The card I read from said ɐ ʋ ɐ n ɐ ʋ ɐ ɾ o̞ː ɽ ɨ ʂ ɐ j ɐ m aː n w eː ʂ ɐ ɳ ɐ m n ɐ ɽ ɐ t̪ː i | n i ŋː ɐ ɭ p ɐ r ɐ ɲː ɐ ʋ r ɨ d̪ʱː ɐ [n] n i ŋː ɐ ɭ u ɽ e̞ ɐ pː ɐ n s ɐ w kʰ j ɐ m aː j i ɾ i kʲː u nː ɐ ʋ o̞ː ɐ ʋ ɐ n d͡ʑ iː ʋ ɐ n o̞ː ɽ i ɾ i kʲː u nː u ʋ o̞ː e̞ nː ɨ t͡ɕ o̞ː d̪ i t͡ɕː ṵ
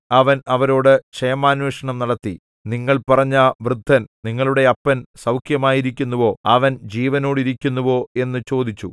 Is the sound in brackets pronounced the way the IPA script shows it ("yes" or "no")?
yes